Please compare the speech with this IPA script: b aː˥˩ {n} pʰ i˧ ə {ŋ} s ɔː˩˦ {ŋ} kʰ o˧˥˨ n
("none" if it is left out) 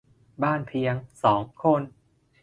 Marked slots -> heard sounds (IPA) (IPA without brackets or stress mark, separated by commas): n, ŋ, ŋ